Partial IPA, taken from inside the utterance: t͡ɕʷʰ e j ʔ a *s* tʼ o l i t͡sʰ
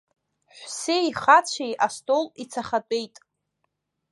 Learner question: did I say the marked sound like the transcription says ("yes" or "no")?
yes